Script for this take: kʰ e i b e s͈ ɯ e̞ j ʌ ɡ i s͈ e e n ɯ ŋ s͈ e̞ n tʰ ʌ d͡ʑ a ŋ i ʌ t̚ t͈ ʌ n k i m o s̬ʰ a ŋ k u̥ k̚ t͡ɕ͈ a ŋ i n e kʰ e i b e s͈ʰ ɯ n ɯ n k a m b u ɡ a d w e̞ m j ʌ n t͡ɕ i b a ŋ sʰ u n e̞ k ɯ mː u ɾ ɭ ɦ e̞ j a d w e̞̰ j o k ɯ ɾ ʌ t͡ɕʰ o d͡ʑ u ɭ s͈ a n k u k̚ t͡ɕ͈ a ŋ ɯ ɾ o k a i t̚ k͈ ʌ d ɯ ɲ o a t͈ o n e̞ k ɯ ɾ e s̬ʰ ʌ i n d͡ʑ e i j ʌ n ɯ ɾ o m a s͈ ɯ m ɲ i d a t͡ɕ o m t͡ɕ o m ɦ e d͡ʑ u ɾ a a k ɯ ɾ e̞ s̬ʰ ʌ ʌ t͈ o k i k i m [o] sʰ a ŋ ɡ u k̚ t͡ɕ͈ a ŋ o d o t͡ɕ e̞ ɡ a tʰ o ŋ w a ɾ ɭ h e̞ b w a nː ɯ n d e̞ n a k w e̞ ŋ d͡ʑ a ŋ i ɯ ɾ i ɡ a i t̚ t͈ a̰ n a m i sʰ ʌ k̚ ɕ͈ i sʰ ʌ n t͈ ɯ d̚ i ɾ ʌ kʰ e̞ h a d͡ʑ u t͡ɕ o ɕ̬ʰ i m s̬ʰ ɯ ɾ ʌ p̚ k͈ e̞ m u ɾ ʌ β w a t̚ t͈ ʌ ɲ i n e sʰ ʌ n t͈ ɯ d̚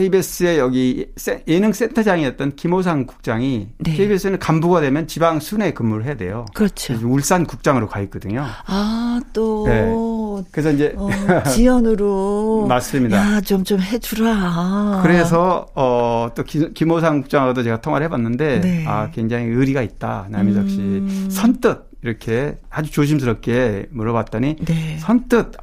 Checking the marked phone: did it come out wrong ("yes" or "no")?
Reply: no